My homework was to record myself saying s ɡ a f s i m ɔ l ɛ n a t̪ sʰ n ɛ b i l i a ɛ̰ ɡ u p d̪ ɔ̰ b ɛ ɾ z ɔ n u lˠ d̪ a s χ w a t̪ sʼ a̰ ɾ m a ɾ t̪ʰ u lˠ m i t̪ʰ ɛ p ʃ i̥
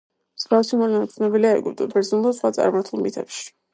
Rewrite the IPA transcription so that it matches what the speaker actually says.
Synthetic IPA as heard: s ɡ a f s i m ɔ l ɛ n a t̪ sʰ n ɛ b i l i a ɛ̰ ɡ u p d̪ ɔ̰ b ɛ ɾ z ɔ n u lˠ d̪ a s χ w a t̪ sʼ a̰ ɾ m a ɾ t̪ʰ u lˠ m i t̪ʰ ɛ p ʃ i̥

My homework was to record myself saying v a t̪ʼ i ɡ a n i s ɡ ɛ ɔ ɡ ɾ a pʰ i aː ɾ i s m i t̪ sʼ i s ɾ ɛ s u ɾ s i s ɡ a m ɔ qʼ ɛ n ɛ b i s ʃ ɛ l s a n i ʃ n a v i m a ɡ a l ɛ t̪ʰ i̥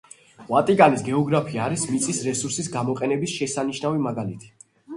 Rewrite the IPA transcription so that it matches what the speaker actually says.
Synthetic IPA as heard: v a t̪ʼ i ɡ a n i s ɡ ɛ ɔ ɡ ɾ a pʰ i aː ɾ i s m i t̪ sʼ i s ɾ ɛ s u ɾ s i s ɡ a m ɔ qʼ ɛ n ɛ b i s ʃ ɛ s a n i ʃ n a v i m a ɡ a l i t̪ʰ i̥

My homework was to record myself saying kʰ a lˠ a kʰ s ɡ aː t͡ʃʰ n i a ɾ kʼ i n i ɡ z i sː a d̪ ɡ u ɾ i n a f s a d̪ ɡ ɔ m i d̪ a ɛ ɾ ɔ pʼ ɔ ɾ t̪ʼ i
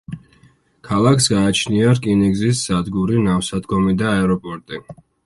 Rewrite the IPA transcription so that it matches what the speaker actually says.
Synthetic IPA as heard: kʰ a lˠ a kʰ s ɡ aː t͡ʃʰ n i a ɾ kʼ i n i ɡ z i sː a d̪ ɡ u ɾ i n a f s a d̪ ɡ ɔ m i d̪ a ɛ ɾ ɔ pʼ ɔ ɾ t̪ʼ i

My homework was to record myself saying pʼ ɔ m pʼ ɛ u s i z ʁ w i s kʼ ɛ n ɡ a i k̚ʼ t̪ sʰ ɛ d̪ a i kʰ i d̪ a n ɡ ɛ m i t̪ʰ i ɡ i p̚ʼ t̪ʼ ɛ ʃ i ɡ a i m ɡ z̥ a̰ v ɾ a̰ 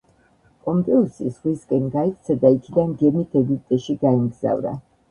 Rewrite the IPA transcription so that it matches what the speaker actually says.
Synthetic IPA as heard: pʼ ɔ m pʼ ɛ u s i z ʁ w i s kʼ ɛ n ɡ a i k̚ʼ t̪ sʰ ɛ d̪ a i kʰ i d̪ a n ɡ ɛ m i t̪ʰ ɛ ɡ i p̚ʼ t̪ʼ ɛ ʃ i ɡ a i m ɡ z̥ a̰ v ɾ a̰

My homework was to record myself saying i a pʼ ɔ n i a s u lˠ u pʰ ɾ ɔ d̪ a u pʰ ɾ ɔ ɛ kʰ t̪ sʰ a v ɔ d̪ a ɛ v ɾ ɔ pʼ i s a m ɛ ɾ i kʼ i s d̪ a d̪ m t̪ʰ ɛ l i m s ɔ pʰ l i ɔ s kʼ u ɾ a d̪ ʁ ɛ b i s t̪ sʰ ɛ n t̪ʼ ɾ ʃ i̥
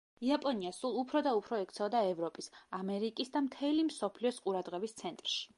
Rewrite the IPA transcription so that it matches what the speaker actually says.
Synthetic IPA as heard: i a pʼ ɔ n i a s u lˠ u pʰ ɾ ɔ d̪ a u pʰ ɾ ɔ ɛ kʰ t̪ sʰ ɛ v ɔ d̪ a ɛ v ɾ ɔ pʼ i s a m ɛ ɾ i kʼ i s d̪ a m t̪ʰ ɛ l i m s ɔ pʰ l i ɔ s qʼ u ɾ a d̪ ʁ ɛ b i s t̪ sʰ ɛ n t̪ʼ ɾ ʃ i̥

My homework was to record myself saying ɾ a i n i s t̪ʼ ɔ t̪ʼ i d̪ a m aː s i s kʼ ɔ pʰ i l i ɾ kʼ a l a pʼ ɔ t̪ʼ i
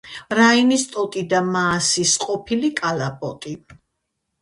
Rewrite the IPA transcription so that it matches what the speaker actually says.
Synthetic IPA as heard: ɾ a i n i s t̪ʼ ɔ t̪ʼ i d̪ a m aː s i s qʼ ɔ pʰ i l i kʼ a l a pʼ ɔ t̪ʼ i

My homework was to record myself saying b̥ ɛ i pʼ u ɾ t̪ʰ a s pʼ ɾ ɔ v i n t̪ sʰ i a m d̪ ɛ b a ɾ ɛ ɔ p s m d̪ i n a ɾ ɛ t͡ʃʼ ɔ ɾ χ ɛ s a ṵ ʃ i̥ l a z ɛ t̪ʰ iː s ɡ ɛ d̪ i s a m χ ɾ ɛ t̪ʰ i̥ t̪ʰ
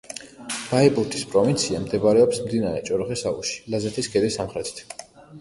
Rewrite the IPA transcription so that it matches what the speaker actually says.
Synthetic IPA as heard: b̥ a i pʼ u ɾ t̪ʰ i s pʼ ɾ ɔ v i n t̪ sʰ i a m d̪ ɛ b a ɾ ɛ ɔ p s m d̪ i n a ɾ ɛ t͡ʃʼ ɔ ɾ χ ɛ s a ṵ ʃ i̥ l a z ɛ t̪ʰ i s ɡ ɛ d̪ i s a m χ ɾ ɛ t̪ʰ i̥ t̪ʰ

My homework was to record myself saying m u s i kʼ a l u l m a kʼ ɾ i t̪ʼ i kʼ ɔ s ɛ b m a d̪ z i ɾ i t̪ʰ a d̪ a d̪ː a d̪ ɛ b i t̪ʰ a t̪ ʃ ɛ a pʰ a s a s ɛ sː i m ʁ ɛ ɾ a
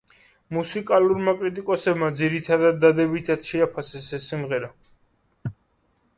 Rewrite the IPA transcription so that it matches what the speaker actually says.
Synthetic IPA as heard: m u s i kʼ a l u ɾ m a kʼ ɾ i t̪ʼ i kʼ ɔ s ɛ b m a d̪ z i ɾ i t̪ʰ a d̪ a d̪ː a d̪ ɛ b i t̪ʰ a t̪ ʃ ɛ a pʰ a s ɛ s ɛ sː i m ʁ ɛ ɾ a

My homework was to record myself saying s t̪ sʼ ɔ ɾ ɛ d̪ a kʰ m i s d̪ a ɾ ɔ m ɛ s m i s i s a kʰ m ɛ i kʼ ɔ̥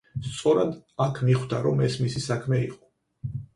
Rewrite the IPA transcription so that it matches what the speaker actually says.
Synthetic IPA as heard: s t̪ sʼ ɔ ɾ a d̪ a kʰ m i χ d̪ a ɾ ɔ m ɛ s m i s i s a kʰ m ɛ i qʼ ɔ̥

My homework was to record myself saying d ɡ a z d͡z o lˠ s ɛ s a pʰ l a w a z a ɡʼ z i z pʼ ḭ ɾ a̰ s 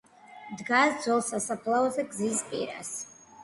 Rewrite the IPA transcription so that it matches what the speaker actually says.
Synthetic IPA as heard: d ɡ a z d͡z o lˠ s a s a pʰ l a w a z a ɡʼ z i z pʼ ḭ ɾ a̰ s

